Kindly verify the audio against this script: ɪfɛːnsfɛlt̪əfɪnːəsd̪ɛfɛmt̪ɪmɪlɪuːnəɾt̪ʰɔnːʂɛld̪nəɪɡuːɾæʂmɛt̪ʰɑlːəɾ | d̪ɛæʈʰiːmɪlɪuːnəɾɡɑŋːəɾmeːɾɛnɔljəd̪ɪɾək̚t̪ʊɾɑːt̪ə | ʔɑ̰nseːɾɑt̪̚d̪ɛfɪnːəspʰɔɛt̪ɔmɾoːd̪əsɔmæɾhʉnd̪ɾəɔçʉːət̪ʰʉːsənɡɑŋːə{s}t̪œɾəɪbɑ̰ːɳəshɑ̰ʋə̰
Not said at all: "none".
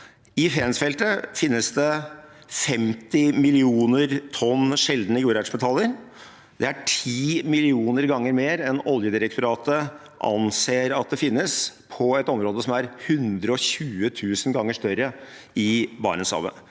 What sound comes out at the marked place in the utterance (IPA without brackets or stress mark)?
ʂ